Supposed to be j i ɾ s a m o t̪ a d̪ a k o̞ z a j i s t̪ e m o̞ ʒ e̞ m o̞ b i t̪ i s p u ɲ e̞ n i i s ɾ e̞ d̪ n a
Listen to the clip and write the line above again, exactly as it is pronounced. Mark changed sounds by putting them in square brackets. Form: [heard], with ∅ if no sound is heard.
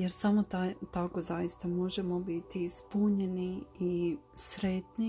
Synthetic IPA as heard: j [e] ɾ s a m o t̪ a [t̪] a k o̞ z a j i s t̪ [a] m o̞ ʒ e̞ m o̞ b i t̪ i s p u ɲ e̞ n i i s ɾ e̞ [t̪] n [i]